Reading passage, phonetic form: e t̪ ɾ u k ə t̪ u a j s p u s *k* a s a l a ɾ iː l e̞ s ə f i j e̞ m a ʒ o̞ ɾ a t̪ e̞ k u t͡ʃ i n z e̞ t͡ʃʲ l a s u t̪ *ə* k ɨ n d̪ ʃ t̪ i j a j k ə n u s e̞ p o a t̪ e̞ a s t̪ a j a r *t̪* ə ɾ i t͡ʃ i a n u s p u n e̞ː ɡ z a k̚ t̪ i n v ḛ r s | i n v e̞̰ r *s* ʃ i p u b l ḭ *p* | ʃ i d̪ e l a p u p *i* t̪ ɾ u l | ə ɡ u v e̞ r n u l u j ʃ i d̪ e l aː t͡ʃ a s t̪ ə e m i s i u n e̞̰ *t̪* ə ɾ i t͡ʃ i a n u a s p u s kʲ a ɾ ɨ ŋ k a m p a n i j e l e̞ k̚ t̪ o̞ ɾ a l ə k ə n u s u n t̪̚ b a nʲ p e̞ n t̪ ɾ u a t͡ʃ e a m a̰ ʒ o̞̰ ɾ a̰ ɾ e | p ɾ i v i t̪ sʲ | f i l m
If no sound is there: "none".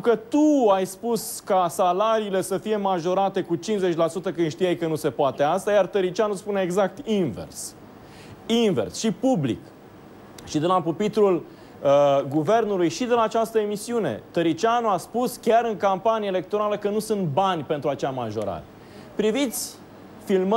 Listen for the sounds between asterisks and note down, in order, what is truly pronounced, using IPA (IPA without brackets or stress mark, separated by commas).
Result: k, ə, t̪, s, k, i, t̪